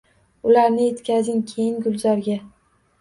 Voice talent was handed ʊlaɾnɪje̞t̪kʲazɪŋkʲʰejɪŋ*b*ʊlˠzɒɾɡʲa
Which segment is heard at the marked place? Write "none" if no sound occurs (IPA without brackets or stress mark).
ɡ